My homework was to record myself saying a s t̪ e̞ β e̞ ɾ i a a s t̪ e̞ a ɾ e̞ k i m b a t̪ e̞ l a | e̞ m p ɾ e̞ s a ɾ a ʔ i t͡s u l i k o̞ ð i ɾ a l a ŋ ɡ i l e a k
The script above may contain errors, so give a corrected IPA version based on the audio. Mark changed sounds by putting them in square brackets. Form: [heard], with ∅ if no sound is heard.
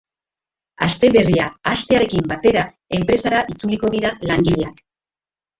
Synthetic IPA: a s t̪ e̞ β e̞ [r] i a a s t̪ e̞ a ɾ e̞ k i m b a t̪ e̞ [ɾ] a | e̞ m p ɾ e̞ s a ɾ a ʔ i t͡s u l i k o̞ ð i ɾ a l a ŋ ɡ i [ʎ] e a k

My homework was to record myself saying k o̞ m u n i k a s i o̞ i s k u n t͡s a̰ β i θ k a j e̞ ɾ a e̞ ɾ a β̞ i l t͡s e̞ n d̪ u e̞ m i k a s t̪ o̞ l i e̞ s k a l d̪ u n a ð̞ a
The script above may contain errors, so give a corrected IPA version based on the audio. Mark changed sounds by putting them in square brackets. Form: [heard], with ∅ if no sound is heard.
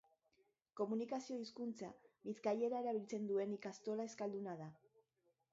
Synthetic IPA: k o̞ m u n i k a s i o̞ i s k u n t͡s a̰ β i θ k a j e̞ ɾ a e̞ ɾ a β̞ i l t͡s e̞ n d̪ u e̞ [n] i k a s t̪ o̞ l [a] e̞ s k a l d̪ u n a ð̞ a

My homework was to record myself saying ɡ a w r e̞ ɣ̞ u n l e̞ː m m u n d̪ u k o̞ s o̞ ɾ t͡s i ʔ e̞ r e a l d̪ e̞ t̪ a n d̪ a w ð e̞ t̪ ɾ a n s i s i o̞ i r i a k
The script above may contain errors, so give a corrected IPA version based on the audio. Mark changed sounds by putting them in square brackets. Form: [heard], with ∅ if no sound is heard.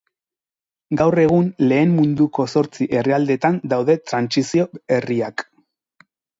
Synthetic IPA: ɡ a w r e̞ ɣ̞ u n l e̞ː m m u n d̪ u k o̞ s o̞ ɾ t͡s i ʔ e̞ r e a l d̪ e̞ t̪ a n d̪ a w ð e̞ t̪ ɾ a n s i s i o̞ [e] r i a k

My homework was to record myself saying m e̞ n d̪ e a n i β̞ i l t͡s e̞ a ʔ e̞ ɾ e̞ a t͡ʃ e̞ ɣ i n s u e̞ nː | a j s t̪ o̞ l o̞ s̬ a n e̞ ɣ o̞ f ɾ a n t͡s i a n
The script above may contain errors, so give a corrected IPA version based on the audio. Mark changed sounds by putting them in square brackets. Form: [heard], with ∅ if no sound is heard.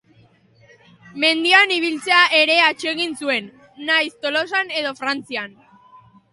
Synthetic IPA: m e̞ n d̪ [i] a n i β̞ i l t͡s e̞ a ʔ e̞ ɾ e̞ a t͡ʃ e̞ ɣ i n s u e̞ nː | a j s t̪ o̞ l o̞ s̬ a n e̞ [ð] o̞ f ɾ a n t͡s i a n

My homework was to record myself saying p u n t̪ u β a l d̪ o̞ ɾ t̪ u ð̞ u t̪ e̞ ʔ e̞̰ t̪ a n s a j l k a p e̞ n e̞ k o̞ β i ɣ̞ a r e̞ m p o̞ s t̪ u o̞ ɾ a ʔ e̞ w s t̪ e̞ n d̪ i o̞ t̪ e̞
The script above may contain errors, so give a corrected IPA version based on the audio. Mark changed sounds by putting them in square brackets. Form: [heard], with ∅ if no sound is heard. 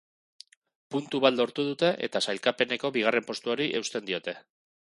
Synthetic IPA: p u n t̪ u β a l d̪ o̞ ɾ t̪ u ð̞ u t̪ e̞ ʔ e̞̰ t̪ a [∅] s a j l k a p e̞ n e̞ k o̞ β i ɣ̞ a r e̞ m p o̞ s t̪ u o̞ ɾ [i] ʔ e̞ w s t̪ e̞ n d̪ i o̞ t̪ e̞

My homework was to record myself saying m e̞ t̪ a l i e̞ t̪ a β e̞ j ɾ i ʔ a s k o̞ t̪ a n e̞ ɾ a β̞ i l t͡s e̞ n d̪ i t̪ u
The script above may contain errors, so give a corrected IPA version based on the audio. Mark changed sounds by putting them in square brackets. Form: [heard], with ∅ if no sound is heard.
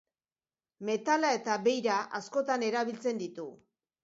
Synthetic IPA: m e̞ t̪ a l [a] e̞ t̪ a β e̞ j ɾ [a] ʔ a s k o̞ t̪ a n e̞ ɾ a β̞ i l t͡s e̞ n d̪ i t̪ u

